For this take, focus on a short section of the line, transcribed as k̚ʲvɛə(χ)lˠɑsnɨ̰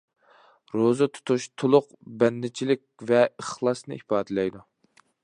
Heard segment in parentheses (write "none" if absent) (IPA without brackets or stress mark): χ